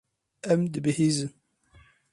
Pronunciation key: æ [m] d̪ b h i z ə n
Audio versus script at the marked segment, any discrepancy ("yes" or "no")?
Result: no